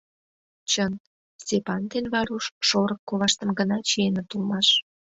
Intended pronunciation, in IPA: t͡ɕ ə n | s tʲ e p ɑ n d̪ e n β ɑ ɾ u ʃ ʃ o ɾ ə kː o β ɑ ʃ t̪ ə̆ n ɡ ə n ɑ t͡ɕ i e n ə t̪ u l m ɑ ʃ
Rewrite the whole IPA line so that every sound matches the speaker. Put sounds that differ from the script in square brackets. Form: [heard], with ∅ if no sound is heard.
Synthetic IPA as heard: t͡ɕ ə n | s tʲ e p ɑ n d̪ e n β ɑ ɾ u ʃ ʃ o ɾ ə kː o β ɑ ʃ t̪ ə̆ [m] ɡ ə n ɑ t͡ɕ i e n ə t̪ u l m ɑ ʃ